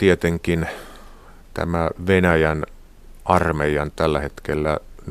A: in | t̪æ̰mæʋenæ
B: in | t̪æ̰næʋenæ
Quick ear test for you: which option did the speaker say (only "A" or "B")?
A